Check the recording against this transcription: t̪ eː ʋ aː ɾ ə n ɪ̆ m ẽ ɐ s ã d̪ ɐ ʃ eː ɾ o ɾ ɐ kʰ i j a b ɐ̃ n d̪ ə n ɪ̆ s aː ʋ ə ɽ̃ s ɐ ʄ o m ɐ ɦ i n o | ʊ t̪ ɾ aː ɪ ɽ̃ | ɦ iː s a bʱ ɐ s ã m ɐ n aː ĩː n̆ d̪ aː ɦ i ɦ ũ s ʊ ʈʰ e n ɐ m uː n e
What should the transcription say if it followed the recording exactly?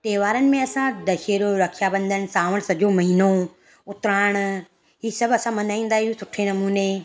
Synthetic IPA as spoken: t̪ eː ʋ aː ɾ ə n ɪ̆ m ẽ ɐ s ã d̪ ɐ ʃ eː ɾ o ɾ ɐ kʰ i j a b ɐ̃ n d̪ ə n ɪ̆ s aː ʋ ə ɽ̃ s ɐ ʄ o m ɐ ɦ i n o | ʊ t̪ ɾ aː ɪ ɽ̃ | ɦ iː s ɐ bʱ ɐ s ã m ɐ n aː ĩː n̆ d̪ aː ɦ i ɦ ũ s ʊ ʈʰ e n ɐ m uː n e